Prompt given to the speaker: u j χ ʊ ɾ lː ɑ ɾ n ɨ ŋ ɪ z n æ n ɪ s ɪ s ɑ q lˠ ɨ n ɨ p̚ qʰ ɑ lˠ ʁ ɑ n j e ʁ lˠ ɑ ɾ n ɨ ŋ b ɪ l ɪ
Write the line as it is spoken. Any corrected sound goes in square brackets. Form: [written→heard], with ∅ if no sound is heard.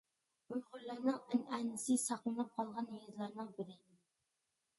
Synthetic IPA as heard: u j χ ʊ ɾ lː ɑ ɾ n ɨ ŋ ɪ [z→∅] n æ n ɪ s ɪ s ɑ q lˠ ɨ n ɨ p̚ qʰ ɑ lˠ ʁ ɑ n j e [ʁ→z] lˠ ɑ ɾ n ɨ ŋ b ɪ [l→ɾ] ɪ

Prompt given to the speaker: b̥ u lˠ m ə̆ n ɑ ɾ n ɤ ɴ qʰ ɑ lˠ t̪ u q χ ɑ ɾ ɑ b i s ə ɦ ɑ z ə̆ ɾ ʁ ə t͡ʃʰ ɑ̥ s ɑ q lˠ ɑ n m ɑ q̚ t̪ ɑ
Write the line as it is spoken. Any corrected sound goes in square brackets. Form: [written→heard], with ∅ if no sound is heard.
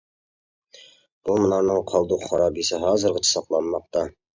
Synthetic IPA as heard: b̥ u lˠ m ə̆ n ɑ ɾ n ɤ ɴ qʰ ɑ lˠ [t̪→d̪] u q χ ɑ ɾ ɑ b i s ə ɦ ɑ z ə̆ ɾ ʁ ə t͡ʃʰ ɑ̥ s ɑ q lˠ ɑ n m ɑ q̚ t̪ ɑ

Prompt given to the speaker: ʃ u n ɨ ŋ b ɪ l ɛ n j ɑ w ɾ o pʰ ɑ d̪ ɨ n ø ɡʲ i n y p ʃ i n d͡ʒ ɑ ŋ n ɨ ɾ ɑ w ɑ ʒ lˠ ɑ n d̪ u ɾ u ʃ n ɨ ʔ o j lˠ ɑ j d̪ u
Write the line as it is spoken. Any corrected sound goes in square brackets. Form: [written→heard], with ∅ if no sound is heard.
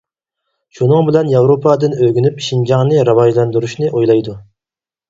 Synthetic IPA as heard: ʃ u n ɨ ŋ b ɪ l ɛ n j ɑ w ɾ o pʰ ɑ d̪ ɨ n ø ɡʲ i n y p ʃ i n d͡ʒ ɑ ŋ n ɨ ɾ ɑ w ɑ ʒ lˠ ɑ n d̪ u ɾ u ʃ n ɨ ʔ o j lˠ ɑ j d̪ u

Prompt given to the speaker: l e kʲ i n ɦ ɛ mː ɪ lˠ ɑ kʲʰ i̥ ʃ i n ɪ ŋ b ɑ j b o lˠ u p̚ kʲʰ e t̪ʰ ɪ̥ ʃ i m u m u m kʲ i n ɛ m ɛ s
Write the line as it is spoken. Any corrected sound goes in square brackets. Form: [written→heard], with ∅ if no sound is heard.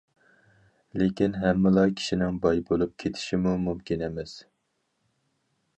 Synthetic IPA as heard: l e kʲ i n ɦ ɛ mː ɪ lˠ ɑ kʲʰ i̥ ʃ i n ɪ ŋ b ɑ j b o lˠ u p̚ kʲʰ e t̪ʰ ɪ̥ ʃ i m u m u m kʲ i n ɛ m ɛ s

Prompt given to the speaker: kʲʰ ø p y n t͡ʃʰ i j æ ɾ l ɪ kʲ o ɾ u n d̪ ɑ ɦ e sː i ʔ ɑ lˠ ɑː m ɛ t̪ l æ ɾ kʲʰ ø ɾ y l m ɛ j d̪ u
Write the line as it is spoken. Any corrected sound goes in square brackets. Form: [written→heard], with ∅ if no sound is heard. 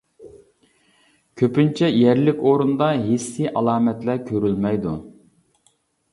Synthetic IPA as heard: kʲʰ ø p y n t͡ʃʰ [i→ɛ] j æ ɾ l ɪ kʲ o ɾ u n d̪ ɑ ɦ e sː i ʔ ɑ lˠ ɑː m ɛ t̪ l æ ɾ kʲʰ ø ɾ y l m ɛ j d̪ u

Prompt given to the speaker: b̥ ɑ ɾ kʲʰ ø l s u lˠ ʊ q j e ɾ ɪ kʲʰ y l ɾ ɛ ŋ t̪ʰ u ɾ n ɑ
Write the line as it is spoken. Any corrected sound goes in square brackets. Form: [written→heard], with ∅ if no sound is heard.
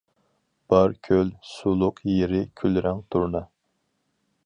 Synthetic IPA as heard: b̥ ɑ ɾ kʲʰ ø l s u lˠ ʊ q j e ɾ ɪ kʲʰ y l ɾ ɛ ŋ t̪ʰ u ɾ n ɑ

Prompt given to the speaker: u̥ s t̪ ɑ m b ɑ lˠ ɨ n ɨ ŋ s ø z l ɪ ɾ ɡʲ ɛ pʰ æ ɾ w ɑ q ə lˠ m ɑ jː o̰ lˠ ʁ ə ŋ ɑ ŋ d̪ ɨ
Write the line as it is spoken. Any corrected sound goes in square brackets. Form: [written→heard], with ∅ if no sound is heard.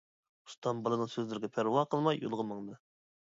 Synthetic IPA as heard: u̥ s t̪ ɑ m b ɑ lˠ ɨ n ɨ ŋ s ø z l ɪ ɾ ɡʲ ɛ pʰ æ ɾ w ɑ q ə lˠ m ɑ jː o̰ lˠ ʁ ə [ŋ→m] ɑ ŋ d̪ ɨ

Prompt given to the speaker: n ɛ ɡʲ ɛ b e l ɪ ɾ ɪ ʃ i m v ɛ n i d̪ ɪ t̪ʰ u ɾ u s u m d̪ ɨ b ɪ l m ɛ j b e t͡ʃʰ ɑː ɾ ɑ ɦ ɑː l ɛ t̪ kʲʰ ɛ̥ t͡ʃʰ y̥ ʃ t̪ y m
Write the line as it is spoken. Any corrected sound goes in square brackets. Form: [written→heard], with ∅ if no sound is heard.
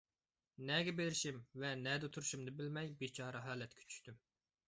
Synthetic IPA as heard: n ɛ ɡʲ ɛ b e l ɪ ɾ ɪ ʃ i m v ɛ n [i→ɛ] d̪ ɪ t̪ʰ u ɾ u [s→ʃ] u m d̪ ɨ b ɪ l m ɛ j b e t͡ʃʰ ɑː ɾ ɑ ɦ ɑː l ɛ t̪ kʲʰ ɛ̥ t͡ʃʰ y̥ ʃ t̪ y m

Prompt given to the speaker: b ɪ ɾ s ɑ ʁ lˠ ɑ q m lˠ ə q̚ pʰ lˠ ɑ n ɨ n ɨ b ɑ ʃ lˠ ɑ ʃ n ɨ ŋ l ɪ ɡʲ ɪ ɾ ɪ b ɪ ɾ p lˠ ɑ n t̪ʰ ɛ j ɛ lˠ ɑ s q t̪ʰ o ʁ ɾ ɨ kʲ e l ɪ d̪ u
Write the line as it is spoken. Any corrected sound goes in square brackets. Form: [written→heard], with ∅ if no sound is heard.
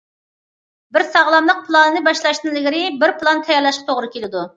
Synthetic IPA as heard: b ɪ ɾ s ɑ ʁ lˠ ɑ [q→∅] m lˠ ə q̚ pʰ lˠ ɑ n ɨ n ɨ b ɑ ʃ lˠ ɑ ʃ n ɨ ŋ l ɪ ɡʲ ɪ ɾ ɪ b ɪ ɾ p lˠ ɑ n t̪ʰ ɛ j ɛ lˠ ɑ [s→ʃ] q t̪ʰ o ʁ ɾ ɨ kʲ e l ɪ d̪ u

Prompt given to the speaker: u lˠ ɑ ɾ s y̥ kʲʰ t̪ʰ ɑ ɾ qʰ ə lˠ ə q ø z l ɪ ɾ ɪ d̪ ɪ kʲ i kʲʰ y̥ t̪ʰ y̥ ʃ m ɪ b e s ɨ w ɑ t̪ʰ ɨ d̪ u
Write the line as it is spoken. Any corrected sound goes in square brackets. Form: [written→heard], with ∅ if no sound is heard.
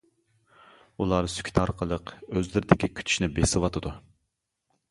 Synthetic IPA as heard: u lˠ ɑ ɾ s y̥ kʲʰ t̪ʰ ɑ ɾ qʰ ə lˠ ə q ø z l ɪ ɾ ɪ d̪ ɪ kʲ i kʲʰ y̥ t̪ʰ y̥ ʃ [m→n] ɪ b e s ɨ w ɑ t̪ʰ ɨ d̪ u

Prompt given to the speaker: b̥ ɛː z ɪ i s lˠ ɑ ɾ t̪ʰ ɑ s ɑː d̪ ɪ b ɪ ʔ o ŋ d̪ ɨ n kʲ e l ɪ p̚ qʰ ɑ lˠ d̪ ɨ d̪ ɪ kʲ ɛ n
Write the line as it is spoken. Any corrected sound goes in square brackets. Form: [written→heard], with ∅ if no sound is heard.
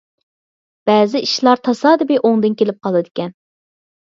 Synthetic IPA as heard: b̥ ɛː z ɪ i [s→ʃ] lˠ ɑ ɾ t̪ʰ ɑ s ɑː d̪ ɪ b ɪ ʔ o ŋ d̪ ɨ n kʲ e l ɪ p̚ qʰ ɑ lˠ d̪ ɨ d̪ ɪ kʲ ɛ n

